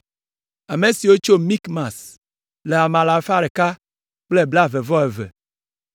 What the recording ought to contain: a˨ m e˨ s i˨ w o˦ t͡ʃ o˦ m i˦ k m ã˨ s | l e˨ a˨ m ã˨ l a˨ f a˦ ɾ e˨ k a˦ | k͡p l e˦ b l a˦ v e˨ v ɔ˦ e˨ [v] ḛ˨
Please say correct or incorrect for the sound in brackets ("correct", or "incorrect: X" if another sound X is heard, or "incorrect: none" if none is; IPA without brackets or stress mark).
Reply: correct